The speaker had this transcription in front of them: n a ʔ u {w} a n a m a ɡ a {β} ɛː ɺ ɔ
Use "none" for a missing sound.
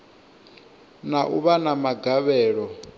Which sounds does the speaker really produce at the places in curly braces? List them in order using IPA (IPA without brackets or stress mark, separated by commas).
β, β